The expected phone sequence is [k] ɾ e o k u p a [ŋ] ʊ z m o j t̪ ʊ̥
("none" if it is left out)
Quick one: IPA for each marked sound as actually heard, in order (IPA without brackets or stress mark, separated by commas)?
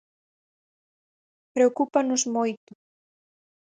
p, n